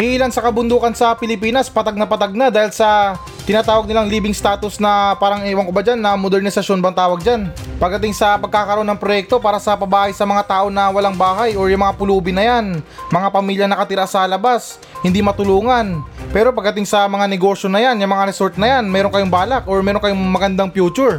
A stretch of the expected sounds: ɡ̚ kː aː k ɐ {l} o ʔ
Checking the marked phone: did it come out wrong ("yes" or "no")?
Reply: yes